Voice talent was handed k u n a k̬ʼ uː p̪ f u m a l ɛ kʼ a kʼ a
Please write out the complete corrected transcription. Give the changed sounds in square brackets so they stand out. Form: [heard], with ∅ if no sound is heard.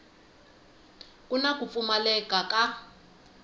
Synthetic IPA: k u n a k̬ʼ [u] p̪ f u m a l ɛ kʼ a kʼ a